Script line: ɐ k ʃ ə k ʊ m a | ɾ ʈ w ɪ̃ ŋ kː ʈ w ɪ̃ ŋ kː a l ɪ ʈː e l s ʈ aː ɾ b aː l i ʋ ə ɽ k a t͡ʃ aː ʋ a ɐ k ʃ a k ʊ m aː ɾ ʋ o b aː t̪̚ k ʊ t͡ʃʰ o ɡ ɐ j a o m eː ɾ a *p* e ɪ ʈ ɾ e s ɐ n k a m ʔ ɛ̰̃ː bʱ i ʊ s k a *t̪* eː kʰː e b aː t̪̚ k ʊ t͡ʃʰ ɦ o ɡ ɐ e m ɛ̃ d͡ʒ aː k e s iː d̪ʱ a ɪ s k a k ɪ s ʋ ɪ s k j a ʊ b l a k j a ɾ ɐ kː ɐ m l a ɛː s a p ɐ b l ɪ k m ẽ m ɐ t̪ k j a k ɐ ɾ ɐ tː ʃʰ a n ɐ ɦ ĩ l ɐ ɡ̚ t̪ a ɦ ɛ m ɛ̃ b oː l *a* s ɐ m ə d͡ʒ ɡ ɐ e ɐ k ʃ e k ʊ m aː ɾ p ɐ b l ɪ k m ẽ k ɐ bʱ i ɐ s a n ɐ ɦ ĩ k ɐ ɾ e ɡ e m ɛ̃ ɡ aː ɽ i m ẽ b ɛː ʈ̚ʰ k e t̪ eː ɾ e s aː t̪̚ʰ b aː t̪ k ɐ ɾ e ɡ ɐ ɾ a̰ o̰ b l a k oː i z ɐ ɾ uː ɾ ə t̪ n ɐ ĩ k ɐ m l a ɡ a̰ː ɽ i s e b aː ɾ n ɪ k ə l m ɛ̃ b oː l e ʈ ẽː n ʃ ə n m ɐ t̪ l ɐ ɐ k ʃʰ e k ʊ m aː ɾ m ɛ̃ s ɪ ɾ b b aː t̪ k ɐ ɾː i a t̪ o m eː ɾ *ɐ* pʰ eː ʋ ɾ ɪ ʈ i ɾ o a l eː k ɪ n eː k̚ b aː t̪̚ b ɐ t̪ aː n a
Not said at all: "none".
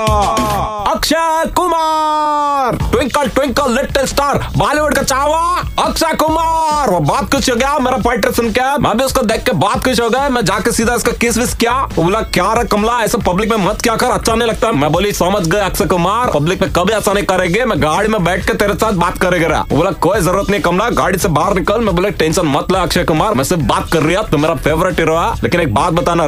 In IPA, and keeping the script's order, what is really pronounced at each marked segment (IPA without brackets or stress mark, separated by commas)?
p, d̪, i, a